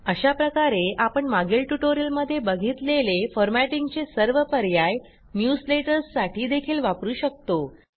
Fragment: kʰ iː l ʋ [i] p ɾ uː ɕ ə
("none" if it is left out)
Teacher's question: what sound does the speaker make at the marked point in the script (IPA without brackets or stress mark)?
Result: a